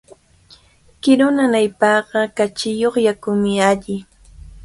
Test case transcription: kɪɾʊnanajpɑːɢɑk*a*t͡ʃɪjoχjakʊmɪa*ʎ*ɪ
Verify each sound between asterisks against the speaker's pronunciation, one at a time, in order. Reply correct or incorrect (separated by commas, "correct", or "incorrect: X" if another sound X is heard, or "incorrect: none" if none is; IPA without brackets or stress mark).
correct, correct